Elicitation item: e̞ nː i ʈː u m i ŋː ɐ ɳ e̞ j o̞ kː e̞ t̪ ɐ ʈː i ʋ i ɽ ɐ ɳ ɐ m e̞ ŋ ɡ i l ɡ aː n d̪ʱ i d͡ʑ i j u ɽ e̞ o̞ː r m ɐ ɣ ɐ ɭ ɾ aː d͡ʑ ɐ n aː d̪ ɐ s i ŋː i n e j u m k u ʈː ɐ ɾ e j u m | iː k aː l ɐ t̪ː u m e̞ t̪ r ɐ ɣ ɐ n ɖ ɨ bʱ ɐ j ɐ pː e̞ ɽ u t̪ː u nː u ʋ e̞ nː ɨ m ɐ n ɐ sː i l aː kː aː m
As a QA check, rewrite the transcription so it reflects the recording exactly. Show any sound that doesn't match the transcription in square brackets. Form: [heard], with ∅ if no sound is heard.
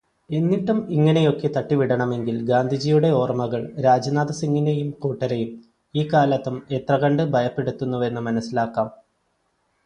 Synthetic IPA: e̞ nː i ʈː u m i ŋː ɐ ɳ e̞ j o̞ kː e̞ t̪ ɐ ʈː i ʋ i ɽ ɐ ɳ ɐ m e̞ ŋ ɡ i l ɡ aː n d̪ʱ i d͡ʑ i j u ɽ e̞ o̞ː r m ɐ ɣ ɐ ɭ ɾ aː d͡ʑ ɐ n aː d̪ ɐ s i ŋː i n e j u m k [uː] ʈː ɐ ɾ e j u m | iː k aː l ɐ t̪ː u m e̞ t̪ r ɐ ɣ ɐ [ɳ] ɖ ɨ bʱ ɐ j ɐ pː e̞ ɽ u t̪ː u nː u ʋ e̞ nː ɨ m ɐ n ɐ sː i l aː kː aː m